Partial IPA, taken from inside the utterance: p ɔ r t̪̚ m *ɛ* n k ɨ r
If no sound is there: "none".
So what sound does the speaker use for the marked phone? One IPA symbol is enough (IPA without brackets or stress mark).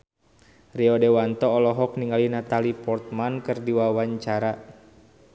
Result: a